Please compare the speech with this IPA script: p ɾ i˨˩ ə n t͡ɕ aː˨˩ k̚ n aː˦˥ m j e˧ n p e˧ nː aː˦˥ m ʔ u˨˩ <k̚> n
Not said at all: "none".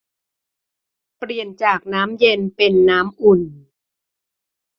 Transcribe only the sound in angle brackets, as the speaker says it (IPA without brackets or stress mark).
none